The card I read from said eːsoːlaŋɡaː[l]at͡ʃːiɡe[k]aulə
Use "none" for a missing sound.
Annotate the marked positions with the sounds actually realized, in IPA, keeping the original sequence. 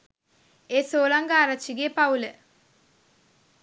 ɾ, p

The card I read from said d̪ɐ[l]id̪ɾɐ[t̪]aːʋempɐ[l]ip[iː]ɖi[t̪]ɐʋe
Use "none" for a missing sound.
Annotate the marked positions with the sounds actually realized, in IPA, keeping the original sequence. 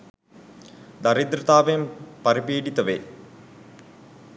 ɾ, t̪, ɾ, iː, t̪

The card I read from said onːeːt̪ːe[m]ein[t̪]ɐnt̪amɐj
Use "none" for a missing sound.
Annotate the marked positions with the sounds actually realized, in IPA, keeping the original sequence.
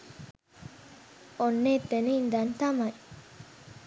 n, d̪

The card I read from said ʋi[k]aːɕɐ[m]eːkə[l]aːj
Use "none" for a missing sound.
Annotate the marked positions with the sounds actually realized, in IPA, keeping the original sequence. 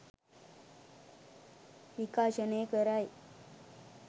k, n, ɾ

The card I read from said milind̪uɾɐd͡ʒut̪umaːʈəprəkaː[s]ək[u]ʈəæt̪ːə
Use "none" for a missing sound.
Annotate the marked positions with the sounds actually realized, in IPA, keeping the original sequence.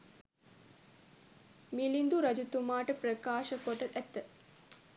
ʃ, o

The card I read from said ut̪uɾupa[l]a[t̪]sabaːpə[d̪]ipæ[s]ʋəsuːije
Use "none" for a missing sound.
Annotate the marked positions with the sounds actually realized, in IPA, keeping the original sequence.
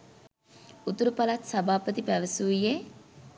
l, t̪, t̪, none

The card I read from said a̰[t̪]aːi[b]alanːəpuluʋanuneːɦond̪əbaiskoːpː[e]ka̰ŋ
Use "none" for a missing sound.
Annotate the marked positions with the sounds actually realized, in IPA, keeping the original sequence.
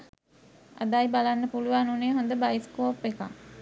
d̪, b, e

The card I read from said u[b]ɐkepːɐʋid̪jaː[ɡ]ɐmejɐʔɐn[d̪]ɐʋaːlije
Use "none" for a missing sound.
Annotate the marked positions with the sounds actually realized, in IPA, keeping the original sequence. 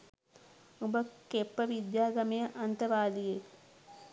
b, ɡ, t̪

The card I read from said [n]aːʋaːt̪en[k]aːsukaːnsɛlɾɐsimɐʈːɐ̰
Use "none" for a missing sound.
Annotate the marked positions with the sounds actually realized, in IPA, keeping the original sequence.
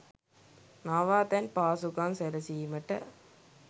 n, p

